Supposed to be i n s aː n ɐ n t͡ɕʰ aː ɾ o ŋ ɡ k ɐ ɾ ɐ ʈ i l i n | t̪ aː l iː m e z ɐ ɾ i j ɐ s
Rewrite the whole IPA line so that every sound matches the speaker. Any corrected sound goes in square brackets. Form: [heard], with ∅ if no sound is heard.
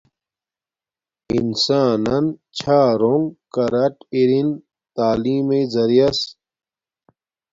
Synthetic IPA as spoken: i n s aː n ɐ n t͡ɕʰ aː ɾ o ŋ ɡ k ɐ ɾ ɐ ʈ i [ɾ] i n | t̪ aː l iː m e z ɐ ɾ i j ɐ s

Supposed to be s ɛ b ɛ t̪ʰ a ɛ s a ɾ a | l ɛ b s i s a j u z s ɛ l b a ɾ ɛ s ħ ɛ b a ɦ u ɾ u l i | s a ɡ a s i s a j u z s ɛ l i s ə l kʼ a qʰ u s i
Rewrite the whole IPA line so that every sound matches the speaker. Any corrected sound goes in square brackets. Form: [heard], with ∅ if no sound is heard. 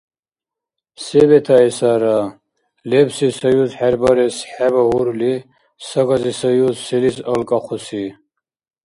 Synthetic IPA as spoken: s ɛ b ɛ t̪ʰ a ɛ s a ɾ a | l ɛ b s i s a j u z [ħ] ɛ [ɾ] b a ɾ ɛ s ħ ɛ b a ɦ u ɾ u l i | s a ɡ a [z] i s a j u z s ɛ l i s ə l kʼ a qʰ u s i

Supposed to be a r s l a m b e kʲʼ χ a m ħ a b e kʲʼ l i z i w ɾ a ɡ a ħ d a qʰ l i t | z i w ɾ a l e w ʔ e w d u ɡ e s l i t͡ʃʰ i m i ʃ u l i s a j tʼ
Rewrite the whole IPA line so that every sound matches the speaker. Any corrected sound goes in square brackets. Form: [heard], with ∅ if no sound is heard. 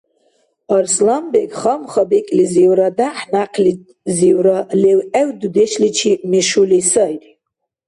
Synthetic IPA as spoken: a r s l a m b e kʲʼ χ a m [χ] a b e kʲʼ l i z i w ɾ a [d] a ħ [n] a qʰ l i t | z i w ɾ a l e w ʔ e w d u [d] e [ʃ] l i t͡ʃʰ i m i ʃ u l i s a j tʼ

